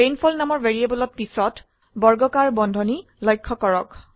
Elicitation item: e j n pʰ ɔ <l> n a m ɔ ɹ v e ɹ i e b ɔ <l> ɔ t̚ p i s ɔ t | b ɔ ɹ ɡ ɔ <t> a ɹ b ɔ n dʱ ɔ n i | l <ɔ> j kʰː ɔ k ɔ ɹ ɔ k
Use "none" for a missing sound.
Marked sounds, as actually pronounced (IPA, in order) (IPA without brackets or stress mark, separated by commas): l, l, k, ɔ